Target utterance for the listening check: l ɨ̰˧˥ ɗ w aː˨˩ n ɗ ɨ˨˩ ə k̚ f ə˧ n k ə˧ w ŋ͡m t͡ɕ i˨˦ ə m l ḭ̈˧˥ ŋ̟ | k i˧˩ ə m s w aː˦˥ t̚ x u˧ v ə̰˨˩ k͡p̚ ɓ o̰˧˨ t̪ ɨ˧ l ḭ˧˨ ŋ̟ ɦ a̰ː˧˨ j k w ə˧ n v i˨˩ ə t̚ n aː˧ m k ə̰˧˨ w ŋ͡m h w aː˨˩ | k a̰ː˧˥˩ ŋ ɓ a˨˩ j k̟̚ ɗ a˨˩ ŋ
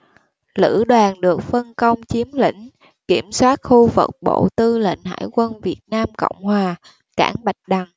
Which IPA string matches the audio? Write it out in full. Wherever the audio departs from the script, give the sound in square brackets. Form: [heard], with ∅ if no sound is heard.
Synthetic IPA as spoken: l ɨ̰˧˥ ɗ w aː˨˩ n ɗ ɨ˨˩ ə k̚ f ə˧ n k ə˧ w ŋ͡m t͡ɕ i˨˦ ə m l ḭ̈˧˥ ŋ̟ | k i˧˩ ə m s w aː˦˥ t̚ x u˧ v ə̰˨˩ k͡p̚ ɓ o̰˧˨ t̪ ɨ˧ l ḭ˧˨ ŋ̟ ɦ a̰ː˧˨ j k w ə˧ n v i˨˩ ə t̚ n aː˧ m k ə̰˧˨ w ŋ͡m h w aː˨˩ | k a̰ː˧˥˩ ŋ ɓ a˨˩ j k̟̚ ɗ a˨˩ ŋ